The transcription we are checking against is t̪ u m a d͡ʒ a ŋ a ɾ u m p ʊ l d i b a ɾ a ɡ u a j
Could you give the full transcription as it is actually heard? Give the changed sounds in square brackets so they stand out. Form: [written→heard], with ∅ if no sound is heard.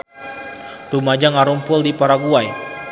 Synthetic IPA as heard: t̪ u m a d͡ʒ a ŋ a ɾ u m p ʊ l d i [b→p] a ɾ a ɡ u a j